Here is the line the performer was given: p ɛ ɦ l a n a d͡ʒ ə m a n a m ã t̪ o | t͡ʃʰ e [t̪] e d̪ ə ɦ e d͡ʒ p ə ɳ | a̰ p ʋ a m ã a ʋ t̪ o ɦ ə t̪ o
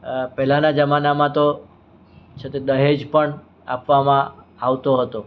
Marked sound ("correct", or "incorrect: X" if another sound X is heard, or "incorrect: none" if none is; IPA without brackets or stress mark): correct